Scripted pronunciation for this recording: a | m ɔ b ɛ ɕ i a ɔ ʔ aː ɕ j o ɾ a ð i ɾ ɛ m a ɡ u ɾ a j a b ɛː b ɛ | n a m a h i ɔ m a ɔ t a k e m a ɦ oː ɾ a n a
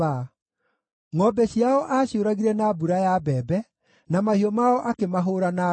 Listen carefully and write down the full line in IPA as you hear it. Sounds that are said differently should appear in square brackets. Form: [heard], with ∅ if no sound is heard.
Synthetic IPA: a | [ŋ] ɔ b ɛ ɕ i a ɔ ʔ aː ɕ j o ɾ a [ɣ] i ɾ ɛ [n] a [b] u ɾ a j a b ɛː b ɛ | n a m a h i ɔ m a ɔ [ʔ] a k e m a ɦ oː ɾ a n a